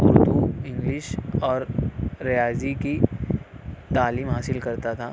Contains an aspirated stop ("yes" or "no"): yes